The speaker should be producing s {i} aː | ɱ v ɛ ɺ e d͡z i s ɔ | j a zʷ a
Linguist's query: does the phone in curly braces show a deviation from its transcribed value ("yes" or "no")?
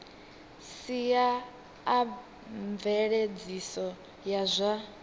no